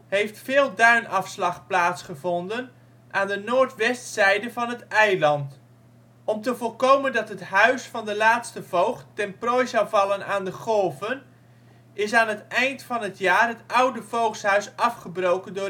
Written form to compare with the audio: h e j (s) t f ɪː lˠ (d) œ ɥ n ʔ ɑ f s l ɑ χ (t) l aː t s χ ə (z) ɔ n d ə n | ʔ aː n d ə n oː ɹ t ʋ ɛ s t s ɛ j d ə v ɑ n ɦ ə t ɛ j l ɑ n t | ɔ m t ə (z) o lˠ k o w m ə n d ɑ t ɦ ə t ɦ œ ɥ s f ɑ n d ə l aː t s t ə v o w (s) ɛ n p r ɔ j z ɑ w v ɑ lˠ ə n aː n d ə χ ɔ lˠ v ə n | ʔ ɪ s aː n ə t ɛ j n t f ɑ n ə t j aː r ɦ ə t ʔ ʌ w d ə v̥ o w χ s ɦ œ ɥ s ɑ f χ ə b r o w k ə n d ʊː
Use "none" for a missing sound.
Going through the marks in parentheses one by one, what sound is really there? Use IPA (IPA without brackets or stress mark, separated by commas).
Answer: f, d, p, v, v, χ